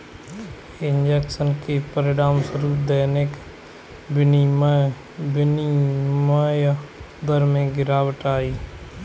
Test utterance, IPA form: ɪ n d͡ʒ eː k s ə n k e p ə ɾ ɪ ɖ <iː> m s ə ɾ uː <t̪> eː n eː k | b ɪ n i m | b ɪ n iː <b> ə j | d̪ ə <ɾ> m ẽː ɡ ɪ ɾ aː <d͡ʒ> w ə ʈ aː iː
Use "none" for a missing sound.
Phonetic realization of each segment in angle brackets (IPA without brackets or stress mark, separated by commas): aː, d̪, m, ɾ, none